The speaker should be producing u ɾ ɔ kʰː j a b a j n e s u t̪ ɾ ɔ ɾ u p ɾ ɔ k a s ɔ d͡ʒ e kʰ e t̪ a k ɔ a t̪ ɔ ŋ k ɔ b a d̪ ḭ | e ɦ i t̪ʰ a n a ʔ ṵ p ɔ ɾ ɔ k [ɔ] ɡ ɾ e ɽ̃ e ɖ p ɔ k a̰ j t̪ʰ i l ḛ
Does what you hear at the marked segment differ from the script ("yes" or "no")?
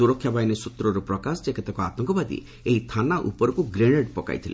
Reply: yes